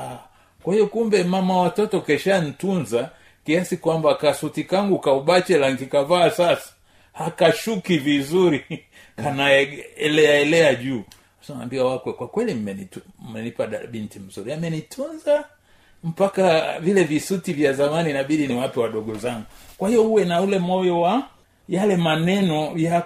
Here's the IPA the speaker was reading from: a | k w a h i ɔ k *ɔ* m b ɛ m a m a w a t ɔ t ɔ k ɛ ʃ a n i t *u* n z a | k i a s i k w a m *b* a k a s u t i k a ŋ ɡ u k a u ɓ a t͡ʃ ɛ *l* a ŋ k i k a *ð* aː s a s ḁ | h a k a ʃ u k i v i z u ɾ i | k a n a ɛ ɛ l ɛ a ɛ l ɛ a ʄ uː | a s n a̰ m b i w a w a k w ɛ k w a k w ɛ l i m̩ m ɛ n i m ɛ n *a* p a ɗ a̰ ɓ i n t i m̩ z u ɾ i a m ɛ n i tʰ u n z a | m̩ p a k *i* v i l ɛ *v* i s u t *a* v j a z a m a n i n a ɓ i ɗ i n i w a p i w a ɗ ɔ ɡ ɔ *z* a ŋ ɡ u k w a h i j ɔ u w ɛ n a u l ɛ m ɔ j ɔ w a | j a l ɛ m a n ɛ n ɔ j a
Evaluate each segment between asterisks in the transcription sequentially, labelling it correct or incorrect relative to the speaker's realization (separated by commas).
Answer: incorrect, correct, correct, correct, incorrect, incorrect, incorrect, correct, incorrect, correct